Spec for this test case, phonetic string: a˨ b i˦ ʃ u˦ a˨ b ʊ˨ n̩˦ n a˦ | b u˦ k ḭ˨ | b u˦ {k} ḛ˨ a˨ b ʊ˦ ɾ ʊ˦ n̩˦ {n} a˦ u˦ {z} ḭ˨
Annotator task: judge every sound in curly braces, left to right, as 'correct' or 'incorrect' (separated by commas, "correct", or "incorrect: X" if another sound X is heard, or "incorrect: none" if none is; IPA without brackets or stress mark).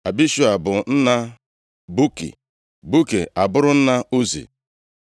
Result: correct, correct, correct